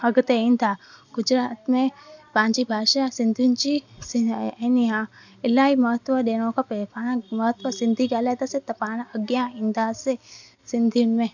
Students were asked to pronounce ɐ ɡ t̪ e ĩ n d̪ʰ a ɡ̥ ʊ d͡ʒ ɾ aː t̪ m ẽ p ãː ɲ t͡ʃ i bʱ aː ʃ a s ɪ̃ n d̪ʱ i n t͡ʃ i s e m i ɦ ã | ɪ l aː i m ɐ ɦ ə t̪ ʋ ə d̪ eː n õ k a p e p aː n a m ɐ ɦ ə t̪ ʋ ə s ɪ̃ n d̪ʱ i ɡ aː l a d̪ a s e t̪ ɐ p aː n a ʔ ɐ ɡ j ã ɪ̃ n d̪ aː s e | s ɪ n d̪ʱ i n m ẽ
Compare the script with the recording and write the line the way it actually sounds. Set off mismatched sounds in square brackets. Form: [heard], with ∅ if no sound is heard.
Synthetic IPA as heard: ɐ ɡ t̪ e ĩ n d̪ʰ a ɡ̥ ʊ d͡ʒ ɾ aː t̪ m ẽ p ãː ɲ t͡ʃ i bʱ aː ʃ a s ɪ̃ n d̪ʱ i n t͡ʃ i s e [n] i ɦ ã | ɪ l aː i m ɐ ɦ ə t̪ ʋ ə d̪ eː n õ k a p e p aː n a m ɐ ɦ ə t̪ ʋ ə s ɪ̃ n d̪ʱ i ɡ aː l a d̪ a s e t̪ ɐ p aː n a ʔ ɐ ɡ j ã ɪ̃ n d̪ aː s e | s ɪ n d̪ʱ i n m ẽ